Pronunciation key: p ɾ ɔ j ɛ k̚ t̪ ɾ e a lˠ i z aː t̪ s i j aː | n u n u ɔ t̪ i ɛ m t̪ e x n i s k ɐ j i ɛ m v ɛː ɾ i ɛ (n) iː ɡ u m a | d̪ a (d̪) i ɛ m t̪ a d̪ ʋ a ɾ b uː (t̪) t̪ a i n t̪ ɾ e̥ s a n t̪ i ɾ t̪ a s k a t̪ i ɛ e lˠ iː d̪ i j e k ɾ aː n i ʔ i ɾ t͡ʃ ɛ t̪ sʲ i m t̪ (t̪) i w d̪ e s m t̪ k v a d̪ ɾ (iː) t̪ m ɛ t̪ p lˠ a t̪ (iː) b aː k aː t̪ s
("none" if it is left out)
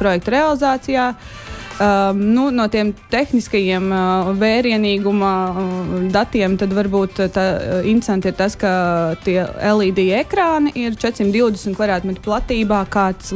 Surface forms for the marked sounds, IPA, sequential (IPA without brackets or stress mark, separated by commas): n, t̪, t̪, d̪, aː, iː